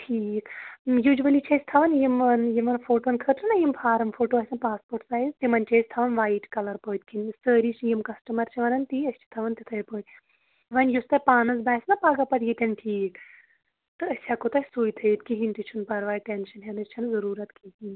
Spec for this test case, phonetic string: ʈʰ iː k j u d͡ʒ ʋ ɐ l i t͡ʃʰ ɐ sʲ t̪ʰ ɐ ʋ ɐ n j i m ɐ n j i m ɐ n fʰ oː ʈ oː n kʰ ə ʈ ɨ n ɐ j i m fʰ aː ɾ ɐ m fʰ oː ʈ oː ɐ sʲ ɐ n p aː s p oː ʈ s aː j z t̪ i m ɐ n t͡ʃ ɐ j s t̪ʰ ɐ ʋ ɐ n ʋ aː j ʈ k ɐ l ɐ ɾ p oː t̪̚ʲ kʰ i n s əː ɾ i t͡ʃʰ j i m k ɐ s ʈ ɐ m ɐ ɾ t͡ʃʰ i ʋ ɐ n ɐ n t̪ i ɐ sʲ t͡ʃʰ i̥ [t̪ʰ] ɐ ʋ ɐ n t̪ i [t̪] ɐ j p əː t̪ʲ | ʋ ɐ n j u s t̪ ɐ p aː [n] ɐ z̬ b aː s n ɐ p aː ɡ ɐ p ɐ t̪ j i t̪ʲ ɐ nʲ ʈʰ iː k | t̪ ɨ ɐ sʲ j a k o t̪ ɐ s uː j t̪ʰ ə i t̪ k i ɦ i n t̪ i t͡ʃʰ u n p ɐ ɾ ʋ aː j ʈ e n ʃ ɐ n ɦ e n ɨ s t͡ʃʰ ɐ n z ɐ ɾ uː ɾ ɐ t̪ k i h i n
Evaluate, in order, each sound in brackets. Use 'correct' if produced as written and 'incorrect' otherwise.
correct, incorrect: t̪ʰ, correct

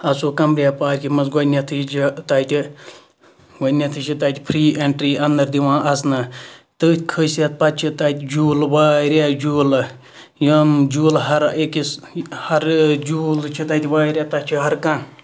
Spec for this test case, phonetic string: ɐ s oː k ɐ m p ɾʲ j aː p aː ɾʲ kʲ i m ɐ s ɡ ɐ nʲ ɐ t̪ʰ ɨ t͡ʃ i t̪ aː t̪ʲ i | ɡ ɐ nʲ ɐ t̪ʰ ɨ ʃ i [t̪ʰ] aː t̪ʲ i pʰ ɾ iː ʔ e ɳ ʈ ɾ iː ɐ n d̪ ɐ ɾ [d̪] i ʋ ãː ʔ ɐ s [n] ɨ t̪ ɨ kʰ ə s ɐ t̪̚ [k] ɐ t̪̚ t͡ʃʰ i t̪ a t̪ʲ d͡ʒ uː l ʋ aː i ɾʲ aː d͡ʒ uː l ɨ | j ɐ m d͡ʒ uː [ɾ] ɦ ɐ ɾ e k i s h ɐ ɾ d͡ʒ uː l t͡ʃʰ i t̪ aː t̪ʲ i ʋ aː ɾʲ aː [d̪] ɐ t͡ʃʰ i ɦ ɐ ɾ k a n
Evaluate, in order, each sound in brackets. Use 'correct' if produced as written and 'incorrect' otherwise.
incorrect: t̪, correct, correct, incorrect: p, incorrect: l, incorrect: t̪

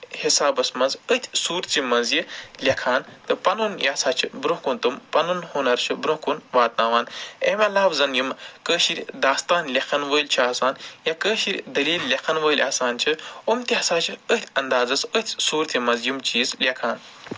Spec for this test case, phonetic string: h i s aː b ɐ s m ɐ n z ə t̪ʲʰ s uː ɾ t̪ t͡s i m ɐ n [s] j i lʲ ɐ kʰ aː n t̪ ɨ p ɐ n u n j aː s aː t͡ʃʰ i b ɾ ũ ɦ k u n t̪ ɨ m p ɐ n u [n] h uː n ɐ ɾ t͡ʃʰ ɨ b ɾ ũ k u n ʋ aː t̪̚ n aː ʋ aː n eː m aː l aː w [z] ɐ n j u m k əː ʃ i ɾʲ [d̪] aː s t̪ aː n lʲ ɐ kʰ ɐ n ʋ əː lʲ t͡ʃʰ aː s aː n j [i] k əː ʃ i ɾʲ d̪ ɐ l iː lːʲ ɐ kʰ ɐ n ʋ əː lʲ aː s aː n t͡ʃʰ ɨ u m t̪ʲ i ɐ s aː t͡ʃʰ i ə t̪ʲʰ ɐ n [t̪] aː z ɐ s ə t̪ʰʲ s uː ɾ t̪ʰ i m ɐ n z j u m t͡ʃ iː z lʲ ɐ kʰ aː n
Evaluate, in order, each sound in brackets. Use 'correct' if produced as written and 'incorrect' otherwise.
incorrect: z, correct, correct, correct, incorrect: a, incorrect: d̪

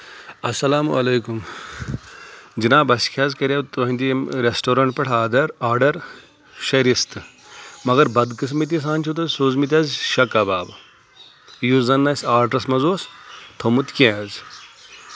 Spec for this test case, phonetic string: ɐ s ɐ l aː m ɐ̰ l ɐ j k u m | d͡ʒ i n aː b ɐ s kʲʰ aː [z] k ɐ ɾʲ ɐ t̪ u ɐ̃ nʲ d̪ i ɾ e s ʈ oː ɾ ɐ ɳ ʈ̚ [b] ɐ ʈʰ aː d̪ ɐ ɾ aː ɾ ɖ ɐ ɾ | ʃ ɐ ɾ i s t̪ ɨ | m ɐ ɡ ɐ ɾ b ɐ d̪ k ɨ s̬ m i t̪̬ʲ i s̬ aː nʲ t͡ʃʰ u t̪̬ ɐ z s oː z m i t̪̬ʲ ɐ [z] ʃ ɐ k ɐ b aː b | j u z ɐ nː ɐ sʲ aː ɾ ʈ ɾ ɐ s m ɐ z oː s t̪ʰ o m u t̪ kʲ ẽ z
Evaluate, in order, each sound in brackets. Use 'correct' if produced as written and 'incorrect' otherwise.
correct, incorrect: p, correct

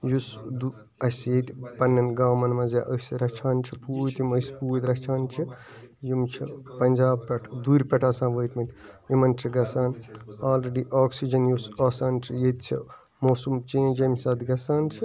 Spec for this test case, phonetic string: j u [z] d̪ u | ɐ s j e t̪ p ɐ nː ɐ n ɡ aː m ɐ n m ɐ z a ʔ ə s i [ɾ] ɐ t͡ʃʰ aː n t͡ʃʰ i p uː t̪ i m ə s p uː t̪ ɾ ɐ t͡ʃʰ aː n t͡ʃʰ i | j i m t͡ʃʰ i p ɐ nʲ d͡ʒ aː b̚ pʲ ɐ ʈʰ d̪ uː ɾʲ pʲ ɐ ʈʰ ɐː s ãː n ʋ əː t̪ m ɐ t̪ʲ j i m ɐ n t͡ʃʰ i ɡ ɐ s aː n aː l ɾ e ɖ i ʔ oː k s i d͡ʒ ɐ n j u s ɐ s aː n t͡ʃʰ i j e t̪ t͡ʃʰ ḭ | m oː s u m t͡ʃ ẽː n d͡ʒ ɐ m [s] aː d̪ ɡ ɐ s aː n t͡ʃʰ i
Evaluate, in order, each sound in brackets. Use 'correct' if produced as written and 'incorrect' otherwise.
incorrect: s, correct, correct

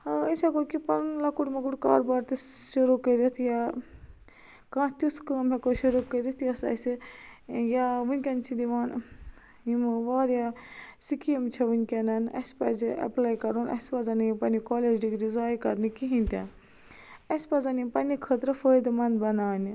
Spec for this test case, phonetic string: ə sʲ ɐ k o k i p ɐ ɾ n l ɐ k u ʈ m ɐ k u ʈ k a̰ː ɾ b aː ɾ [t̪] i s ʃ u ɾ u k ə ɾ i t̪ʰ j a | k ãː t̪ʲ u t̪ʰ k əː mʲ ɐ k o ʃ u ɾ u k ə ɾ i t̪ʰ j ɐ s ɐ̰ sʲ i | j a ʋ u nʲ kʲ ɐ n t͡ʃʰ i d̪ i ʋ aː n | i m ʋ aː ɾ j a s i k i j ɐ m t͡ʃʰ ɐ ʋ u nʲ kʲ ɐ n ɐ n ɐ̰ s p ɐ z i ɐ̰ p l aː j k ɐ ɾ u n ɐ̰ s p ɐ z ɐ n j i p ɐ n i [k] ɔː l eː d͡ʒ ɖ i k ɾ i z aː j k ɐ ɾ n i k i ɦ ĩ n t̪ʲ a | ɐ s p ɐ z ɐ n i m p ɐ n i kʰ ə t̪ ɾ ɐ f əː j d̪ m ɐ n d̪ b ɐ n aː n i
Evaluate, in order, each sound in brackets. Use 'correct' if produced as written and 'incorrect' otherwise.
correct, correct

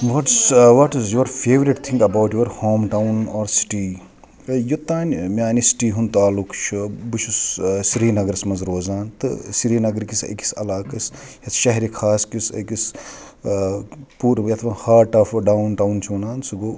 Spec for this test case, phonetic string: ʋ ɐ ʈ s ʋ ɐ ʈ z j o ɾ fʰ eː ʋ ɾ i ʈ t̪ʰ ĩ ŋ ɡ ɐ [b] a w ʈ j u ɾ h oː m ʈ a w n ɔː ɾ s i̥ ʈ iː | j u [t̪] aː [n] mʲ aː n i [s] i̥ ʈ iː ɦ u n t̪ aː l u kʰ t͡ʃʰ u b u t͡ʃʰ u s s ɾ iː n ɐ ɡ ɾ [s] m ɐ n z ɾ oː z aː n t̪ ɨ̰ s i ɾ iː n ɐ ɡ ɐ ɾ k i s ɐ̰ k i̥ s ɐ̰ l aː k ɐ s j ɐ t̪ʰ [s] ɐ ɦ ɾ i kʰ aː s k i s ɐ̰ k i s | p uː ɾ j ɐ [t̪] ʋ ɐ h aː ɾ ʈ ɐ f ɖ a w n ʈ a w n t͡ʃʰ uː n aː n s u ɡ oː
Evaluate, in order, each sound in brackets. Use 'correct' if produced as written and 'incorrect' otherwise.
correct, correct, correct, correct, correct, incorrect: ʃ, incorrect: t̪ʰ

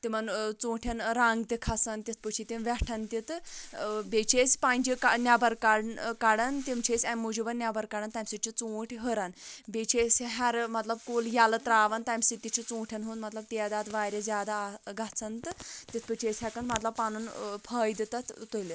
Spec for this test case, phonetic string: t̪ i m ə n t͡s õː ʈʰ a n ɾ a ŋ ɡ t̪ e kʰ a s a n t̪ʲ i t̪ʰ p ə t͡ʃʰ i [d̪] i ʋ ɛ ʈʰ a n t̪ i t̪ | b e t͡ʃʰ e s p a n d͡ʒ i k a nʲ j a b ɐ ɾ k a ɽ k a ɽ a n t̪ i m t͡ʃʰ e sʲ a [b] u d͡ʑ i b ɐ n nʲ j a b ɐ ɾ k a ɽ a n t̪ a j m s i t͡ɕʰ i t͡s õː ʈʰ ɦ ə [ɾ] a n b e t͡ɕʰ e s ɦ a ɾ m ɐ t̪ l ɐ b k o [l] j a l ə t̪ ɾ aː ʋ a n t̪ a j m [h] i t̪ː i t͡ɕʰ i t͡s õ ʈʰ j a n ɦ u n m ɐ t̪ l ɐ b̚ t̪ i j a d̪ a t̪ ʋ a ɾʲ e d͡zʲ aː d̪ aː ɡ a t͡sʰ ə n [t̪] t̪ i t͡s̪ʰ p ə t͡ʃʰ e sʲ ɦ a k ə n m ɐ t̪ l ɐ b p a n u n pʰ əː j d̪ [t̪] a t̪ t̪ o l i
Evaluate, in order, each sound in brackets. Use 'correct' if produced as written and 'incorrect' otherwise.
incorrect: t̪, incorrect: m, correct, correct, incorrect: s, correct, correct

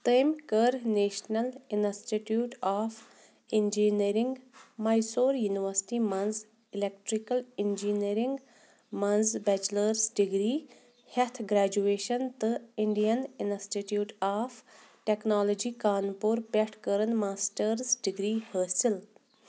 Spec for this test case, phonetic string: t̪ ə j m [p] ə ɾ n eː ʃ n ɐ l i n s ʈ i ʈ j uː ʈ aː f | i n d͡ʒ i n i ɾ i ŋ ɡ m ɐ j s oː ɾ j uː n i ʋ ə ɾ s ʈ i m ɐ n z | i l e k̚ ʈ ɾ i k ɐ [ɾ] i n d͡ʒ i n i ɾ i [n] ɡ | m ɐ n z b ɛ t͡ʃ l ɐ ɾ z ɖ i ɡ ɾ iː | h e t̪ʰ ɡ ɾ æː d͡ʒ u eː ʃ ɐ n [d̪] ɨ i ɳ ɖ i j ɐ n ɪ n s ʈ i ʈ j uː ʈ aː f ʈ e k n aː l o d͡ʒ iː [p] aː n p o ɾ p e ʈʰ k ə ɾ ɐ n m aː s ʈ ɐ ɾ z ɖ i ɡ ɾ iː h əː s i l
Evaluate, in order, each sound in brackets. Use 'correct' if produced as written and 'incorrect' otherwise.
incorrect: k, incorrect: l, incorrect: ŋ, incorrect: t̪, incorrect: k

